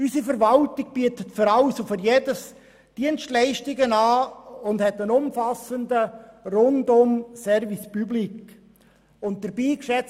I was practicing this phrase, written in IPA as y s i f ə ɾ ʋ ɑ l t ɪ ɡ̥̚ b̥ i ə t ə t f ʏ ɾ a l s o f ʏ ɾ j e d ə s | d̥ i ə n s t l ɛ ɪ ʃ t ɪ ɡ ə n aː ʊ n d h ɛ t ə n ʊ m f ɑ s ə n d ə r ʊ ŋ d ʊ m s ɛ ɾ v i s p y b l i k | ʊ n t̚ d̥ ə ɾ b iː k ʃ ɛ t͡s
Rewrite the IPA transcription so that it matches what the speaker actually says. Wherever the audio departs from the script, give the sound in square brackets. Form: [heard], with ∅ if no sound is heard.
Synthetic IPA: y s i f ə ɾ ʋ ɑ l t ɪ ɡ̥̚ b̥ i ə t ə t f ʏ ɾ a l s o f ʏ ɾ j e d ə s | d̥ i ə n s t l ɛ ɪ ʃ t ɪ ɡ ə n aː ʊ n d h ɛ t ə n ʊ m f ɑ s ə n d ə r ʊ [n] d ʊ m s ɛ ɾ v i s p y b l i k | ʊ n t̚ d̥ ə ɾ b iː k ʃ ɛ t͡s